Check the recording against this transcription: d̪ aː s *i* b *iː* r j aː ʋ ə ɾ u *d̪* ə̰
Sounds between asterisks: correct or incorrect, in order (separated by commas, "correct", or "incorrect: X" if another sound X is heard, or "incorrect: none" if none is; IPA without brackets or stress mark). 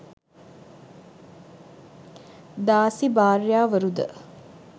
correct, incorrect: aː, correct